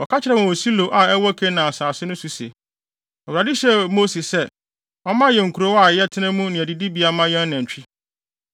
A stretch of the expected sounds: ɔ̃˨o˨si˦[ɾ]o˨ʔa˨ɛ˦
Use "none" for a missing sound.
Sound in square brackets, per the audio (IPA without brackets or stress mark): l